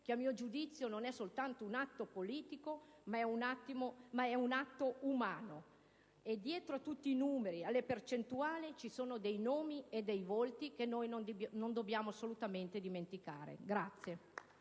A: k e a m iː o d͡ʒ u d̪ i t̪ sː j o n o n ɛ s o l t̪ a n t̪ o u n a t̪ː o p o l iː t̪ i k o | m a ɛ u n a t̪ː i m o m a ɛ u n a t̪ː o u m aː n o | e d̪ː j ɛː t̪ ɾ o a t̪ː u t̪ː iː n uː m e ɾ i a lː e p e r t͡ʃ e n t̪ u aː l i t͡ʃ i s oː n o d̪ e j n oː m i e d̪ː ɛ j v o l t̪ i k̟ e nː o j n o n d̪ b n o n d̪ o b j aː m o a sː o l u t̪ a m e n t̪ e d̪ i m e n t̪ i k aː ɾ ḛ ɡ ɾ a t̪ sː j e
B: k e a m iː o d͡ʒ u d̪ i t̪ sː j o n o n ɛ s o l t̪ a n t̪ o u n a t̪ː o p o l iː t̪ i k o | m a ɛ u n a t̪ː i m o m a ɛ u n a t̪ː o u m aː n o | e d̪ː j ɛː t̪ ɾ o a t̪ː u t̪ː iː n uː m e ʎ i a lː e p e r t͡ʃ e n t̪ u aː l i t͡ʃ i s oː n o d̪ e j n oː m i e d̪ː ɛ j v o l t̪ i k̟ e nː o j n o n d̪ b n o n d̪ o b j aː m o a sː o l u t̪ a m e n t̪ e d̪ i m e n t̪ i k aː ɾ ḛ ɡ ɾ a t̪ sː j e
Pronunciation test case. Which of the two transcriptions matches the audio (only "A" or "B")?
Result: A